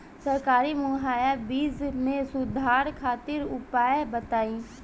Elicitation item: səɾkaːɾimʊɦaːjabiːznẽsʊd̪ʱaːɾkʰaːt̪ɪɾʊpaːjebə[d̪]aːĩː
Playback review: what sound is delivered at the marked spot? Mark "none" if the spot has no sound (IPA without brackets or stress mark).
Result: t̪